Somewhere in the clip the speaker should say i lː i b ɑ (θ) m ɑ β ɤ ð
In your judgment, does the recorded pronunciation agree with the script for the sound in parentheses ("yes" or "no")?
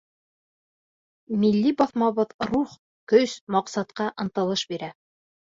yes